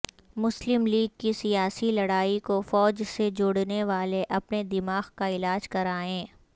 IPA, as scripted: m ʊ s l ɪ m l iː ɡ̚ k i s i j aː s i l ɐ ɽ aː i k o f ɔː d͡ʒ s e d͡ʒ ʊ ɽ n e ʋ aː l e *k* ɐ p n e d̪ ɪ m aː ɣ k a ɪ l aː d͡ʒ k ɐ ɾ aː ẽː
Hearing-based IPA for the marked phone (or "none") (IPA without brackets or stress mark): ʔ